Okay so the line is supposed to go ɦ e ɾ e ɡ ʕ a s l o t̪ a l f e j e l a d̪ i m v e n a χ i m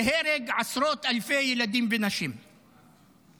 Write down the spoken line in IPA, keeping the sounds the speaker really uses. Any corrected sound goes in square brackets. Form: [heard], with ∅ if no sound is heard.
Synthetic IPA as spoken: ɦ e ɾ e ɡ ʕ a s [ɾ] o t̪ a l f e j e l a d̪ i m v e n a [ʃ] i m